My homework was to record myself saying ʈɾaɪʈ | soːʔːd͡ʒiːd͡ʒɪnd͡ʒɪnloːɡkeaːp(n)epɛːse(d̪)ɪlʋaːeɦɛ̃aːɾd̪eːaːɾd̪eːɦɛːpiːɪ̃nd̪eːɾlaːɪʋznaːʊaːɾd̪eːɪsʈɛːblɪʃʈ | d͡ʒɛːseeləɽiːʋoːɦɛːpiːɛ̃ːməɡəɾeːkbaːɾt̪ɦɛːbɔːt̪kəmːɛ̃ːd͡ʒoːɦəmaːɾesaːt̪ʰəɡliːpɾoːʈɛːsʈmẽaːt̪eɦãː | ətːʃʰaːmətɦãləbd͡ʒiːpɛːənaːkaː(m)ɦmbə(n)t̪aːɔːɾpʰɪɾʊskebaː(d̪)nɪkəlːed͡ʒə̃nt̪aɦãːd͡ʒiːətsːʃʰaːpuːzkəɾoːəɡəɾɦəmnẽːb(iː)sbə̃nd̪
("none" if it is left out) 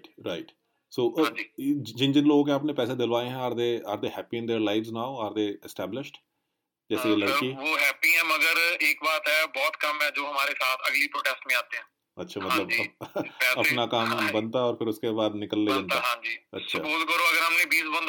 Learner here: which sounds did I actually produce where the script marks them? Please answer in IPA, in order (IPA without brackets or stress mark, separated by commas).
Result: n, d̪, m, n, d̪, iː